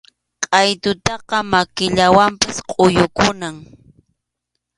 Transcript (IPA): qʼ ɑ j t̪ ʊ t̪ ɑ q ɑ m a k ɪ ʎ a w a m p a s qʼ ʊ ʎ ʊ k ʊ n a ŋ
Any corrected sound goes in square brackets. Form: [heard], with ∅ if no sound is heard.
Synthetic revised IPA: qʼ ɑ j t̪ ʊ t̪ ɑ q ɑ m a k ɪ ʎ a w a m p a s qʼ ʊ [j] ʊ k ʊ n a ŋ

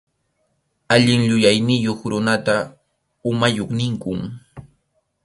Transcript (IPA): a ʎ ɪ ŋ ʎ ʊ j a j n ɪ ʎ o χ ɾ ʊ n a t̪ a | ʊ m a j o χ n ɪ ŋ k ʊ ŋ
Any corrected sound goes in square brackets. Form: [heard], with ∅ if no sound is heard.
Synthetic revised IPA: a ʎ ɪ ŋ ʎ ʊ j a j n ɪ [j] o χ ɾ ʊ n a t̪ a | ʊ m a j o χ n ɪ ŋ k ʊ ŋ

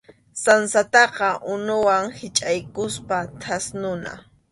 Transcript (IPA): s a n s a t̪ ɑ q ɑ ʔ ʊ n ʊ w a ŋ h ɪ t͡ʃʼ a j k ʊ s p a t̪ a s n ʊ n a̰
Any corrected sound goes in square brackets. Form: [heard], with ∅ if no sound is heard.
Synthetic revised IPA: s a n s a t̪ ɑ q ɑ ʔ ʊ n ʊ w a ŋ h ɪ t͡ʃʼ a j k ʊ s p a [t̪ʰ] a s n ʊ n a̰

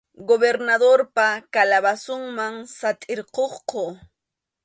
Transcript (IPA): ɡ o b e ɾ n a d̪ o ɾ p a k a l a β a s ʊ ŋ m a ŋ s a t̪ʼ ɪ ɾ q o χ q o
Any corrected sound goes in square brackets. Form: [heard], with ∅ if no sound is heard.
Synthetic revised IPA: ɡ o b e ɾ n a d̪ o ɾ p a k a l a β a s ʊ ŋ m a ŋ s a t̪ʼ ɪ ɾ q o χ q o

